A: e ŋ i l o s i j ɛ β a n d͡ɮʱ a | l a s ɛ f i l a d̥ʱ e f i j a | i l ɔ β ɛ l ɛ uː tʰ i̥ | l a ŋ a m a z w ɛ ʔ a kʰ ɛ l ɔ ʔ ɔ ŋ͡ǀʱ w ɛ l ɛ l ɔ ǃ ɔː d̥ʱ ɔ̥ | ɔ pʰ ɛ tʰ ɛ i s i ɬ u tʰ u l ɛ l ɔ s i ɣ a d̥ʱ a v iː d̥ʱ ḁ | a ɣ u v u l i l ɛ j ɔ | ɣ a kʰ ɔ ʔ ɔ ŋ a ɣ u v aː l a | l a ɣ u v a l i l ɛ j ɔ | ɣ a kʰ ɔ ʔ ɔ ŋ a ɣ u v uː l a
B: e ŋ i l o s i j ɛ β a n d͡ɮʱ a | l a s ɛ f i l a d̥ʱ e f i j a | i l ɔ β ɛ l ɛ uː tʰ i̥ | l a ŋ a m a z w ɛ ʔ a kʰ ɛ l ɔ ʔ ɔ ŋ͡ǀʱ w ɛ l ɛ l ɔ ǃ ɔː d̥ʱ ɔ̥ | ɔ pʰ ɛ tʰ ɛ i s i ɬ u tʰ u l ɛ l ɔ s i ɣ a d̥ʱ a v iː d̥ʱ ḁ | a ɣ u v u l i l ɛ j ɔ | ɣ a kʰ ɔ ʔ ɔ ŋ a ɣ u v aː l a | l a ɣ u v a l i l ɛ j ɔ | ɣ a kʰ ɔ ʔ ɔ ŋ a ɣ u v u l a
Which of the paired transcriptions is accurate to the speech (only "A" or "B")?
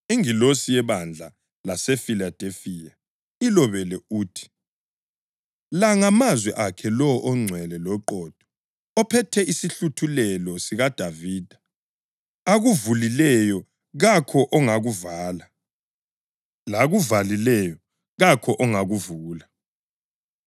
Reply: A